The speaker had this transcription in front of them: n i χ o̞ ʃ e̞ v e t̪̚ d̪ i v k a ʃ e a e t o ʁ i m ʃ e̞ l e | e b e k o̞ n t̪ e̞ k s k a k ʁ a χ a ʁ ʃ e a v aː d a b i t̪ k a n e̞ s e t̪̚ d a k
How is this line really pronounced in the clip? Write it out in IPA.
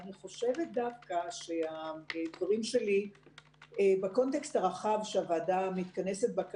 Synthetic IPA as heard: n i χ o̞ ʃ e̞ v e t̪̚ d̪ a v k a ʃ e a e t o ʁ i m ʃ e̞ l i | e b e k o̞ n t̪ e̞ k s t a ʁ a χ a v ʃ e a v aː d a m i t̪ k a n e̞ s e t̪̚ b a k